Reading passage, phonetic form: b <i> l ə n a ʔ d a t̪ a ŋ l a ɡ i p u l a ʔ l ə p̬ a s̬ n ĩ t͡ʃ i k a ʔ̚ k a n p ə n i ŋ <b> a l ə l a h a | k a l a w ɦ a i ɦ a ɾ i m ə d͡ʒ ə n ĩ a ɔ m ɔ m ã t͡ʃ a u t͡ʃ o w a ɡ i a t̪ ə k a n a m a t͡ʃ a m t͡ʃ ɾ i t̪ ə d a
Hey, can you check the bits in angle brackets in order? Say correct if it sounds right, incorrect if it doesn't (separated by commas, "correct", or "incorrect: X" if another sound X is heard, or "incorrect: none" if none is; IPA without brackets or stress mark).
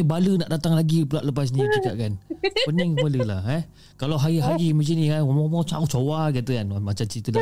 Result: incorrect: a, correct